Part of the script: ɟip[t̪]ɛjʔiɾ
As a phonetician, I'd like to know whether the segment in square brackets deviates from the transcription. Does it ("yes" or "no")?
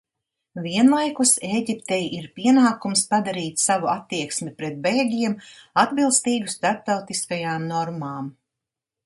no